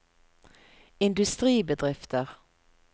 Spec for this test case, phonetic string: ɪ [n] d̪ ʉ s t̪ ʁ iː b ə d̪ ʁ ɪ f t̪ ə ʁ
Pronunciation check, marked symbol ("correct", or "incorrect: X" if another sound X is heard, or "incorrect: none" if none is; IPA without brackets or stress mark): correct